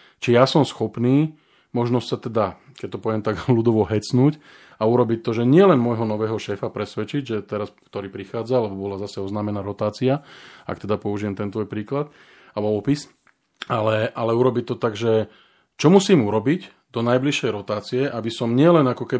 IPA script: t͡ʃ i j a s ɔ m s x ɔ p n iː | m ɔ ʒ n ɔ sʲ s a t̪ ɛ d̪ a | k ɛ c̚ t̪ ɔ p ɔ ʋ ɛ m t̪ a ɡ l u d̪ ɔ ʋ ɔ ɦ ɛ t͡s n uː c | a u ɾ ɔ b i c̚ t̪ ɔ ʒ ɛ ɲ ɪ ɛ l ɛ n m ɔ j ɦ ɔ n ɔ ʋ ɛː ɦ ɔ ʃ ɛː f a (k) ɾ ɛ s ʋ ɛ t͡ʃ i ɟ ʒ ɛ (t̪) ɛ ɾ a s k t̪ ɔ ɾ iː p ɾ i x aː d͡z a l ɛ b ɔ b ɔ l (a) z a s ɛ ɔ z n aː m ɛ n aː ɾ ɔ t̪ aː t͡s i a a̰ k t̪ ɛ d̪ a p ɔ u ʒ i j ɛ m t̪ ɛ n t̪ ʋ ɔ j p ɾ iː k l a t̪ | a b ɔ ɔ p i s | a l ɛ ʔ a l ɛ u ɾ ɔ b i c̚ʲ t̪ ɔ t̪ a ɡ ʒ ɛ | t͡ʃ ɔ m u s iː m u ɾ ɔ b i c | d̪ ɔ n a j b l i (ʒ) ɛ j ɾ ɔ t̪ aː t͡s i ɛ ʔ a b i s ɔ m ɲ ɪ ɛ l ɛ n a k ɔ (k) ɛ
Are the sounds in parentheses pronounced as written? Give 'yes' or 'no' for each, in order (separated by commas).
no, yes, yes, no, yes